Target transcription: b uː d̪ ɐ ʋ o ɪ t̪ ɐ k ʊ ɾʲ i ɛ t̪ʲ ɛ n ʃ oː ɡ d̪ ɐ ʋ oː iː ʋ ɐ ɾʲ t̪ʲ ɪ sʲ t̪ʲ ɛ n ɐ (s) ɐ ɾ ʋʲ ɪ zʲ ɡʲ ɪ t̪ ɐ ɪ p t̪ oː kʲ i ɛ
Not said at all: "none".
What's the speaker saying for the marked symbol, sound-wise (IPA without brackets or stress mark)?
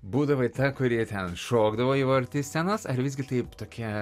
s